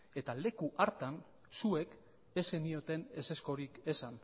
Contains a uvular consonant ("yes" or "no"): no